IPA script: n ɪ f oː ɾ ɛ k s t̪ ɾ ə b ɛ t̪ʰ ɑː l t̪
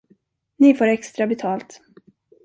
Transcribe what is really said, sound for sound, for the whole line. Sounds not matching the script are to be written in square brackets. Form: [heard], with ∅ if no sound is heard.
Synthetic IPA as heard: n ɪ f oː ɾ ɛ k s t̪ ɾ [a] b ɛ t̪ʰ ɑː l t̪